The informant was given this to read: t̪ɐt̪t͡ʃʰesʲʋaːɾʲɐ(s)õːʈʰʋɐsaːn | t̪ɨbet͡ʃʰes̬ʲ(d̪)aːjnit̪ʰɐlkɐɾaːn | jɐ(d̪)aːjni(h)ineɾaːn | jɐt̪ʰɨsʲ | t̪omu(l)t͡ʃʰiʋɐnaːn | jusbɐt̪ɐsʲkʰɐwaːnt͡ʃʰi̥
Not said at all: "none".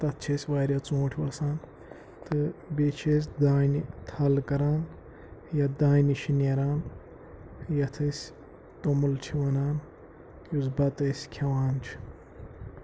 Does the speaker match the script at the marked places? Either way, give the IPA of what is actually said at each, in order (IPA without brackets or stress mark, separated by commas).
t͡s, d̪, d̪, ʃ, l